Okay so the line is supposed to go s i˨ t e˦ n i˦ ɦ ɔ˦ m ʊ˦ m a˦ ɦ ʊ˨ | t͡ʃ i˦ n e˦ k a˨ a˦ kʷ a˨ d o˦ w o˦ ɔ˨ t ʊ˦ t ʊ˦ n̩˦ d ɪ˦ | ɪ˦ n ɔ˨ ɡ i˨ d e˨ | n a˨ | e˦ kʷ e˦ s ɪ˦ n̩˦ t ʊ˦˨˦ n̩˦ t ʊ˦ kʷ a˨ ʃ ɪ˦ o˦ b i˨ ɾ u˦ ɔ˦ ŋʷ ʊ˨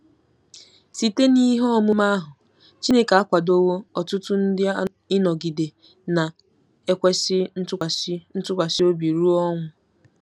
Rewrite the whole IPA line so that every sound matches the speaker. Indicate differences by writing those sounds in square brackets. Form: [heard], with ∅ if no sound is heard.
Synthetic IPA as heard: s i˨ t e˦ n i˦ ɦ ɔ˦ m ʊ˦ m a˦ ɦ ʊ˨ | t͡ʃ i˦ n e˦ k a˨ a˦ kʷ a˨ d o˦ w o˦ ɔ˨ t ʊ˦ t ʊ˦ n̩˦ d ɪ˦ | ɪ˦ n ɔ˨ ɡ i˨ d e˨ | n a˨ | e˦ kʷ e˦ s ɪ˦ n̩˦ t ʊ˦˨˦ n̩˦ t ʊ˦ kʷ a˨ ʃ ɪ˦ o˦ b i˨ ɾ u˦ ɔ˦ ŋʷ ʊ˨